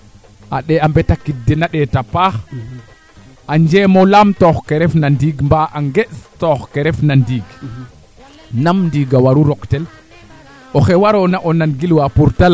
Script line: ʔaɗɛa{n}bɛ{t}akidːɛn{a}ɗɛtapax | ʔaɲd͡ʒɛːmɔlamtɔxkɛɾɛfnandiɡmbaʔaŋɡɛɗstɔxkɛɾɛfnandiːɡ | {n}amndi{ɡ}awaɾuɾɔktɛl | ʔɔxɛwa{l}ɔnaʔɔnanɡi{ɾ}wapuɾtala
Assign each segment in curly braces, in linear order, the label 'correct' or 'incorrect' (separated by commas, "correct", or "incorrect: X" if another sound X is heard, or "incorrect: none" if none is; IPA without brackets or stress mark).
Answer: incorrect: m, correct, correct, correct, correct, incorrect: ɾ, incorrect: l